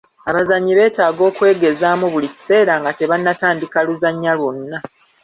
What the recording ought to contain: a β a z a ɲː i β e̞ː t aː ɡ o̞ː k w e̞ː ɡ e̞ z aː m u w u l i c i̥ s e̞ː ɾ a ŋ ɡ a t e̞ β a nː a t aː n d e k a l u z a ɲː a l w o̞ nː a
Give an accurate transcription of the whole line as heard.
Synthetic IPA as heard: a β a z a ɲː i β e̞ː t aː ɡ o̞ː k w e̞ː ɡ e̞ z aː m u β u l i c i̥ s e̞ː ɾ a ŋ ɡ a t e̞ β a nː a t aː n d i k a l u z a ɲː a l w o̞ nː a